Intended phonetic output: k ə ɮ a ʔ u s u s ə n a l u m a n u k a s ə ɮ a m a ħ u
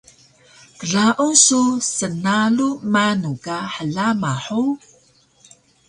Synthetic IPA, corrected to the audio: k ə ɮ a ʔ u s u s ə n a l u m a n u k a ħ ə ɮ a m a ħ u